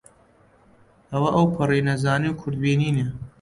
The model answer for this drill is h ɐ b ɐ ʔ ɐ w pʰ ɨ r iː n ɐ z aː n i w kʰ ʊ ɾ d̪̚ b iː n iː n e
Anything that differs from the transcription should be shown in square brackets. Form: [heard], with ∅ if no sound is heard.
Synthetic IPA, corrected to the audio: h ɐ [w] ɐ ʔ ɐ w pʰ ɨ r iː n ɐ z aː n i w kʰ ʊ ɾ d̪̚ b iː n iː n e